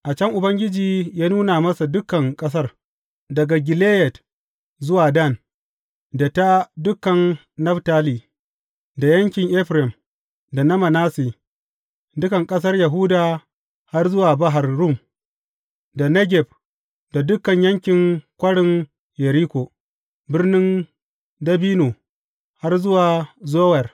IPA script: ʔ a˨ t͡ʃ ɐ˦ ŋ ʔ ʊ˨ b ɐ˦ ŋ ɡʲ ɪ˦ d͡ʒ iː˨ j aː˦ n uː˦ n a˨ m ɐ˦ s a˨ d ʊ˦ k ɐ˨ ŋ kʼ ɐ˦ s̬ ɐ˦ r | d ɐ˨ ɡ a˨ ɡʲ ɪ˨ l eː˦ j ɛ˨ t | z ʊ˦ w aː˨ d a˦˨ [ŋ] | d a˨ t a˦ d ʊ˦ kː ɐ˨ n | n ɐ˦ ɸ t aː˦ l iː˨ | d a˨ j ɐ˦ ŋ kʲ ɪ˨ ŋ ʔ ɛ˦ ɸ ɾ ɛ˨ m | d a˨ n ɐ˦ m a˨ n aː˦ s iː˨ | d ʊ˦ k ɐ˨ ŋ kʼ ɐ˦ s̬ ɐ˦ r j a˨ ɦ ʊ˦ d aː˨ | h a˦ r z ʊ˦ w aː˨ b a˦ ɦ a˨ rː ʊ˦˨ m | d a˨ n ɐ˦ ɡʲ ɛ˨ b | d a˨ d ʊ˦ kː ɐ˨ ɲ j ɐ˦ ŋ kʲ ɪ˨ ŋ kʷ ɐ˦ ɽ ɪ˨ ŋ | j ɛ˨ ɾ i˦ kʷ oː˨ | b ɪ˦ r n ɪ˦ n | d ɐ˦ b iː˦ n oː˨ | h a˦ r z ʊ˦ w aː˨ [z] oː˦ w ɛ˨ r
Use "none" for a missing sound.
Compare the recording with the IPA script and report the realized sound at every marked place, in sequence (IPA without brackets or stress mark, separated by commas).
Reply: n, z